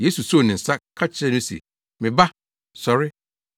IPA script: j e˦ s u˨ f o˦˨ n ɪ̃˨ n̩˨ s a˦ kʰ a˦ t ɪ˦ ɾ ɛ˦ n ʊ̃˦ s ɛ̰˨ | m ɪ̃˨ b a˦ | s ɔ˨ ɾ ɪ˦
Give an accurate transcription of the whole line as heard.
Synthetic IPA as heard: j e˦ s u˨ s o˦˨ n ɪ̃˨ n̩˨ s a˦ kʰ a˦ t͡ɕʰ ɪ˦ ɾ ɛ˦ n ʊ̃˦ s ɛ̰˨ | m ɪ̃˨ b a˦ | s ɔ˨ ɾ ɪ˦